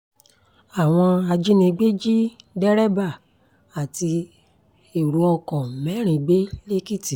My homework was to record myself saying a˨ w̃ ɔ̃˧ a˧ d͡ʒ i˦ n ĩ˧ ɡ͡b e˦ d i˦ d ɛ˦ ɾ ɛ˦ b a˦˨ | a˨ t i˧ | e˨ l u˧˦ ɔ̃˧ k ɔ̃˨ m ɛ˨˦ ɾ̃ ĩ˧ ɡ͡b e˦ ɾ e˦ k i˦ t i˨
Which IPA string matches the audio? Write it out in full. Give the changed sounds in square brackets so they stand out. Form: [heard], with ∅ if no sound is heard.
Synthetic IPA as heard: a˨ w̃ ɔ̃˧ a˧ d͡ʒ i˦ n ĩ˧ ɡ͡b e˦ [d͡ʒ] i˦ d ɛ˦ ɾ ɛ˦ b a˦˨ | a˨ t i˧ | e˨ [ɾ] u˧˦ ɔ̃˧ k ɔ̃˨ m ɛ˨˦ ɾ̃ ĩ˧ ɡ͡b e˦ [l] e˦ k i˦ t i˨